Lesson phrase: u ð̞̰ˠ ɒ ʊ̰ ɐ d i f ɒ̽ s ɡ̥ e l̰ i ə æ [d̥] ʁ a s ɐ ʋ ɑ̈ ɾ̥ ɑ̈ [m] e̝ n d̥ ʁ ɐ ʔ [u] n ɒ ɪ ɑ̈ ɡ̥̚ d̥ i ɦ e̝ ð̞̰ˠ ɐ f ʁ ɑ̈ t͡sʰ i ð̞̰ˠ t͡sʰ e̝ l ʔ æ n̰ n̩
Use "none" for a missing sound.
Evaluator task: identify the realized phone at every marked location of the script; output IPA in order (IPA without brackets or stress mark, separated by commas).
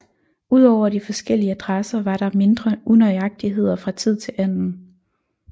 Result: d̥, m, u